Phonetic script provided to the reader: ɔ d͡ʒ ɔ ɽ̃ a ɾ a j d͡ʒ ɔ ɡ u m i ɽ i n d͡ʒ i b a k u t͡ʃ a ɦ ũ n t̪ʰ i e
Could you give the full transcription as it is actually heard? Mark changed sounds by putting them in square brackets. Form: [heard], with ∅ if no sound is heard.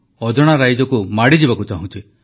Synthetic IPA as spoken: ɔ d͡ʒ ɔ ɽ̃ a ɾ a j d͡ʒ ɔ [k] u m [a] ɽ i [∅] d͡ʒ i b a k u t͡ʃ a ɦ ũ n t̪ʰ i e